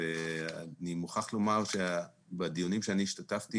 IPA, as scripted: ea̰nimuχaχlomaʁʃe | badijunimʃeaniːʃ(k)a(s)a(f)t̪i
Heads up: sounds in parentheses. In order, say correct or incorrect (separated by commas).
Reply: incorrect, incorrect, correct